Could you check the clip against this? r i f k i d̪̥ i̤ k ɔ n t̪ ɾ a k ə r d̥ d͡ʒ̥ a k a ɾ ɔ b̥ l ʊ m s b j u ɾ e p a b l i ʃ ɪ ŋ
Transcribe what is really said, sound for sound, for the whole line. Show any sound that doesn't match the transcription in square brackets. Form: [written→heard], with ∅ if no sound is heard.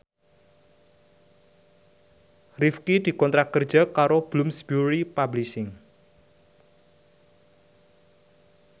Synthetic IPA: r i f k i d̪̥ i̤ k ɔ n t̪ ɾ a k ə r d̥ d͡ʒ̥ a k a ɾ [ɔ→o] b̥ l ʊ m s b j u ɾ [e→i] p a b l i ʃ ɪ ŋ